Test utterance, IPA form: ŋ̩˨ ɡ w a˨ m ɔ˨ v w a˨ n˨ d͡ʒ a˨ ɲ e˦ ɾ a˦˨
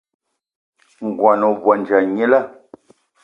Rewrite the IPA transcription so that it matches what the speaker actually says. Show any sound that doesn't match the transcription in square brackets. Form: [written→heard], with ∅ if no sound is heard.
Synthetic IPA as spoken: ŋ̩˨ ɡ w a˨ [m→n] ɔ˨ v w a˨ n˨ d͡ʒ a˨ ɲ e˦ [ɾ→l] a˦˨